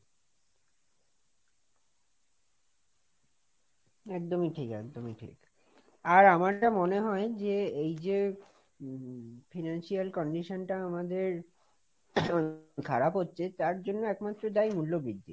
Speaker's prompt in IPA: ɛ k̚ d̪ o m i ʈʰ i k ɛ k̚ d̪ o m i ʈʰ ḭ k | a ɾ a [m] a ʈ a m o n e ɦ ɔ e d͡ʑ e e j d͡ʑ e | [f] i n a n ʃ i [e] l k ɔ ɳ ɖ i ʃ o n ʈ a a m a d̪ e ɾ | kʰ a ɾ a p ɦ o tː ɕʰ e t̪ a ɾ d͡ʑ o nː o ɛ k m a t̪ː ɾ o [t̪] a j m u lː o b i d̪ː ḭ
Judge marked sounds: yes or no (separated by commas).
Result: yes, yes, no, no